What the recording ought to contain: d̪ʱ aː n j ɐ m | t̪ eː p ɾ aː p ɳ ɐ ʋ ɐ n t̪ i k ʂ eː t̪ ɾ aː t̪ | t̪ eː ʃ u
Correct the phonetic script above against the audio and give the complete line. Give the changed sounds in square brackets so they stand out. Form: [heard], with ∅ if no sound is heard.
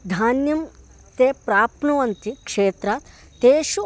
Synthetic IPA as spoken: d̪ʱ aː n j ɐ m | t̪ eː p ɾ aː p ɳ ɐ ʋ ɐ n t̪ i k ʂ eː t̪ ɾ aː t̪ | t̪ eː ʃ u